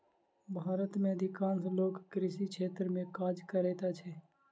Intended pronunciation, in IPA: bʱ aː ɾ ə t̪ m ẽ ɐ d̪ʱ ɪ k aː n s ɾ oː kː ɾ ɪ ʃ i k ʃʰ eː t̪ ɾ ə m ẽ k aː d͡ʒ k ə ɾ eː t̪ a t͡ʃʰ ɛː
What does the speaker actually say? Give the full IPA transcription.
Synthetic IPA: bʱ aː ɾ ə t̪ m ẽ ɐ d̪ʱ ɪ k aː n s l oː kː ɾ ɪ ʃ i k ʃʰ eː t̪ ɾ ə m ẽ k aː d͡ʒ k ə ɾ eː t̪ a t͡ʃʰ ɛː